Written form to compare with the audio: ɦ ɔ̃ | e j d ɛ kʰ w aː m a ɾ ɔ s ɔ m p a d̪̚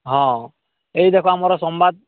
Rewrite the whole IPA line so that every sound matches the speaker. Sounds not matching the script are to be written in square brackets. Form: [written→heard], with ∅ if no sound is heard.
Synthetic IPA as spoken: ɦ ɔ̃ | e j d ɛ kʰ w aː m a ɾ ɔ s ɔ m [p→b] a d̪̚